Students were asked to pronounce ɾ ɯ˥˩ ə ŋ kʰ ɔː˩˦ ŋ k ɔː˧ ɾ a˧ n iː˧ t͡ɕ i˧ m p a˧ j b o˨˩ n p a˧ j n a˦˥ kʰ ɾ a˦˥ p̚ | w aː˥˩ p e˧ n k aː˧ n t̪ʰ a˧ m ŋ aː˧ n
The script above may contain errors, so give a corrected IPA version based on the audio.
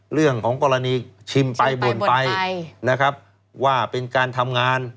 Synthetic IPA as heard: ɾ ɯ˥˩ ə ŋ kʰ ɔː˩˦ ŋ k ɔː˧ ɾ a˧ n iː˧ t͡ɕʰ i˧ m p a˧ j b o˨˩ n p a˧ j n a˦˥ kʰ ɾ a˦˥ p̚ | w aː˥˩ p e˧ n k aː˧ n t̪ʰ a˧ m ŋ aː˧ n